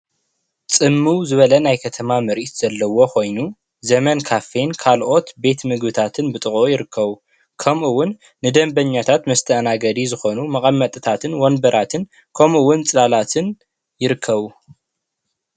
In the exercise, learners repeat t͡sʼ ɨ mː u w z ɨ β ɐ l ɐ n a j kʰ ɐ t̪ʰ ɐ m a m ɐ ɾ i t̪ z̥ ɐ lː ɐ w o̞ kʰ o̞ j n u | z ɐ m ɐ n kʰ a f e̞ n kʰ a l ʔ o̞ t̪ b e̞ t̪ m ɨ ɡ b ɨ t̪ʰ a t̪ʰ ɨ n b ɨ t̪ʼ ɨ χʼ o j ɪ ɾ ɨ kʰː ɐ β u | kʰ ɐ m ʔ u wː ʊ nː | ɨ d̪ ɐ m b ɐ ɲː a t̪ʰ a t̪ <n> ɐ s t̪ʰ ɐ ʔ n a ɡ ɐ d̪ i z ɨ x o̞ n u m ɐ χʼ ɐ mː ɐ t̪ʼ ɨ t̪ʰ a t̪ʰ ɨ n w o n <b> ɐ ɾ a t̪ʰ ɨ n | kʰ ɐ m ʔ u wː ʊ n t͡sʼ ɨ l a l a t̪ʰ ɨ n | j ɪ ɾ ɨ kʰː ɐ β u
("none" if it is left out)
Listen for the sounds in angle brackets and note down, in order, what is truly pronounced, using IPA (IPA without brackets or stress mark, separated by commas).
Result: m, b